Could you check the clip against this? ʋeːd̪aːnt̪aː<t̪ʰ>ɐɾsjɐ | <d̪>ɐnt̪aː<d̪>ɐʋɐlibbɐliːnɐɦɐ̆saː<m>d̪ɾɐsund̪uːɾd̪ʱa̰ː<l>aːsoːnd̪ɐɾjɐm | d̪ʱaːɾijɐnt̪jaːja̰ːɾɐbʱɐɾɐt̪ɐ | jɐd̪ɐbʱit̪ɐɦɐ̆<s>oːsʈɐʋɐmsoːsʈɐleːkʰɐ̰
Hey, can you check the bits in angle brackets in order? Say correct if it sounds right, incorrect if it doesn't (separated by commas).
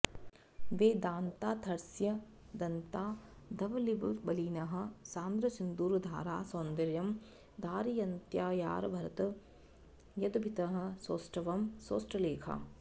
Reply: correct, correct, correct, incorrect, incorrect, correct